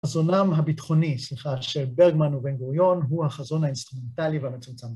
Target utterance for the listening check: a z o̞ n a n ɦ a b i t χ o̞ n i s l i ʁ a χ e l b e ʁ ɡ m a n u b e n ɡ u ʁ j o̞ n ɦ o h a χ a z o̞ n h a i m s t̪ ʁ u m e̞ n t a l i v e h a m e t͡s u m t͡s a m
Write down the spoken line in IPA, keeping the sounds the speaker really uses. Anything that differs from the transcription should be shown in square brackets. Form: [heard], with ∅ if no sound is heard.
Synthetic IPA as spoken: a z o̞ n a [m] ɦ a b i t χ o̞ n i s l i [χ] a [ʃ] e l b e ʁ ɡ m a n u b e n ɡ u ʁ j o̞ n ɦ [u] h a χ a z o̞ n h a i [n] s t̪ ʁ u m e̞ n t a l i v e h a m e t͡s u m t͡s a m